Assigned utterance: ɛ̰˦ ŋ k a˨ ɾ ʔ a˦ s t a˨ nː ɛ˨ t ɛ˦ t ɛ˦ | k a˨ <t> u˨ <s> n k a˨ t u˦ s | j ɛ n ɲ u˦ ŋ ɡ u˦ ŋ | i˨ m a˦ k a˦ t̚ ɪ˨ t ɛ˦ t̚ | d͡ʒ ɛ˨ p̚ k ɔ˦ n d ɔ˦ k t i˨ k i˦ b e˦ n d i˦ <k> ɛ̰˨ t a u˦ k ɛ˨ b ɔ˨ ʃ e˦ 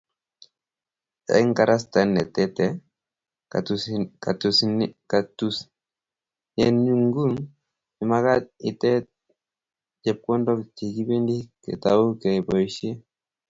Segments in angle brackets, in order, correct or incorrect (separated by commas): correct, correct, correct